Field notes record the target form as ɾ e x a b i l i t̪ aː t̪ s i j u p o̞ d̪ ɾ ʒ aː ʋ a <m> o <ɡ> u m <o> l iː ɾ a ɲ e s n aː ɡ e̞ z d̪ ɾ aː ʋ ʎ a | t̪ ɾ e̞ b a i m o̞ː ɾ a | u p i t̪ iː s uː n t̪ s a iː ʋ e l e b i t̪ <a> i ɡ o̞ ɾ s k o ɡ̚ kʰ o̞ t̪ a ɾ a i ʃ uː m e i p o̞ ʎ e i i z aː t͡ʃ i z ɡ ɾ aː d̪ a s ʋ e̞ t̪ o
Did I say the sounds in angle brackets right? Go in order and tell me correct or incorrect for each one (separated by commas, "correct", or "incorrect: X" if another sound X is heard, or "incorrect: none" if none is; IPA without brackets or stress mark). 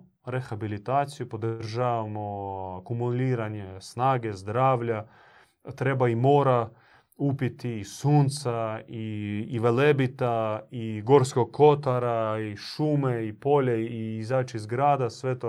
correct, incorrect: k, incorrect: u, correct